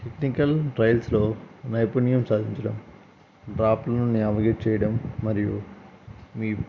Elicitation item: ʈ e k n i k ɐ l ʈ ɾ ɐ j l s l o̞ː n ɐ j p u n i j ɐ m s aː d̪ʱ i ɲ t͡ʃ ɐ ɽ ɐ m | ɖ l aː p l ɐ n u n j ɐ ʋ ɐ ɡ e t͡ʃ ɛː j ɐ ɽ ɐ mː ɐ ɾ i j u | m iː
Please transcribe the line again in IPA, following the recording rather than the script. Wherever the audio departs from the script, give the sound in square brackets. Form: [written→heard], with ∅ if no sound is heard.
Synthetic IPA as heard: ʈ e k n i k ɐ l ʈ ɾ ɐ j l s l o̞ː n ɐ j p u n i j ɐ m s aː d̪ʱ i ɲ t͡ʃ ɐ ɽ ɐ m | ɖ [l→ɾ] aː p l ɐ n u n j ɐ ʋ ɐ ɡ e t͡ʃ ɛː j ɐ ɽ ɐ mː ɐ ɾ i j u | m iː